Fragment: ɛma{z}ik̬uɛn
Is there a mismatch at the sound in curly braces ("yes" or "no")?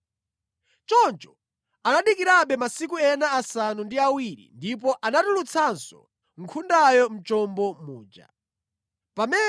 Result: yes